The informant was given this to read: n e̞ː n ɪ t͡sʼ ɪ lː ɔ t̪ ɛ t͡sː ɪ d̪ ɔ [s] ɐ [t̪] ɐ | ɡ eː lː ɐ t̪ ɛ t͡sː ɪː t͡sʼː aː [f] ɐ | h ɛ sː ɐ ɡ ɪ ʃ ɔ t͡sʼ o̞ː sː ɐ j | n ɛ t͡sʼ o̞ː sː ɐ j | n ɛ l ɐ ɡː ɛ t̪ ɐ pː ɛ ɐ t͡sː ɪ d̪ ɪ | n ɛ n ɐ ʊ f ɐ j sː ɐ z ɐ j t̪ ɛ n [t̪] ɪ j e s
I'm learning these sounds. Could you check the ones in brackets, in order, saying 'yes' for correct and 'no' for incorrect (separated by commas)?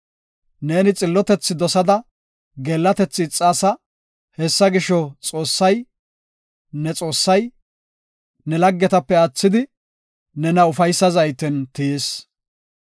yes, no, no, yes